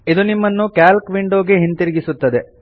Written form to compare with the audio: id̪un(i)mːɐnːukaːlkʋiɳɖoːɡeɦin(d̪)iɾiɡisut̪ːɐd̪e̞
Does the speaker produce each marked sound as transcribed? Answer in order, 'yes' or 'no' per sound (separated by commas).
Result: yes, no